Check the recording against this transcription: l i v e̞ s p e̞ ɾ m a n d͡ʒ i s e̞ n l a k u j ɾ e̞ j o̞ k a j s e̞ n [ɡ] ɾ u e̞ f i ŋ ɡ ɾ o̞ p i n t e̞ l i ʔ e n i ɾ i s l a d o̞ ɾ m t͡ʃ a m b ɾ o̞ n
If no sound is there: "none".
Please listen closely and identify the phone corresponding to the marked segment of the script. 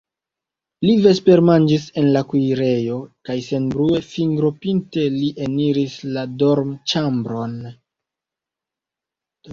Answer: b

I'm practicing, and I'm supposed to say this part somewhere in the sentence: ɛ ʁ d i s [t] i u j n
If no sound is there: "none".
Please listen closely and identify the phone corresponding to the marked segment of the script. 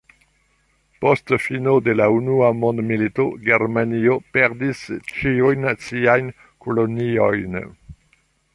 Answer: t͡ʃ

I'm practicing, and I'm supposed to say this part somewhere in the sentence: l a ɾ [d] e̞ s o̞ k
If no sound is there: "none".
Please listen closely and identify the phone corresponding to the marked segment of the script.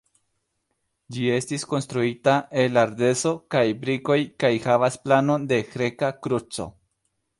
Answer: d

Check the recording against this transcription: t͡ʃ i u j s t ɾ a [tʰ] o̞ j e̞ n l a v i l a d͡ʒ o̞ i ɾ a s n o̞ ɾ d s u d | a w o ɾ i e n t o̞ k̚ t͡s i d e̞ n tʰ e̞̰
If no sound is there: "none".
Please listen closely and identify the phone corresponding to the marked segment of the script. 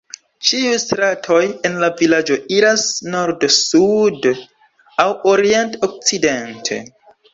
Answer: tʰ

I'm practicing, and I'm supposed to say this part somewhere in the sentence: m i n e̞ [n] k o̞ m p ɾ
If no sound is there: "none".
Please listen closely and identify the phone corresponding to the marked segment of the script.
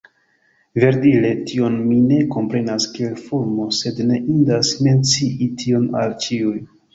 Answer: none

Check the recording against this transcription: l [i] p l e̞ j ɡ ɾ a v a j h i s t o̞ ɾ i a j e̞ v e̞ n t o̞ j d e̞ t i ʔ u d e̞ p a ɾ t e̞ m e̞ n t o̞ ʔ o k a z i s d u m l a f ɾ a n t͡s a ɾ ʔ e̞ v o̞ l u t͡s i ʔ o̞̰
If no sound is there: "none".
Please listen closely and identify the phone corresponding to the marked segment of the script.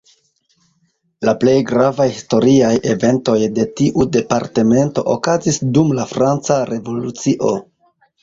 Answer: a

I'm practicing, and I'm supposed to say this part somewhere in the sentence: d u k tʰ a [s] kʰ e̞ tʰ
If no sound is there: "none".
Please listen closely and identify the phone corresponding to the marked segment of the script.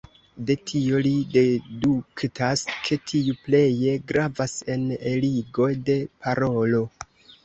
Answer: s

